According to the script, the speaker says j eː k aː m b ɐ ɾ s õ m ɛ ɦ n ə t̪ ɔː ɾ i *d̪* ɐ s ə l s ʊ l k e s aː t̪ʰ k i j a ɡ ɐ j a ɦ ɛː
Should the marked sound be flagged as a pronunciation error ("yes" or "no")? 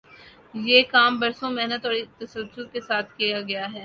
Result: yes